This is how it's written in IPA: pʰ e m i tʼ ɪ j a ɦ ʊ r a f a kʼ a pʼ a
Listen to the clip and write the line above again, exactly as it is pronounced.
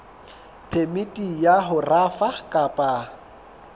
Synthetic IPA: pʰ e m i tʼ i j a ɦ ʊ r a f a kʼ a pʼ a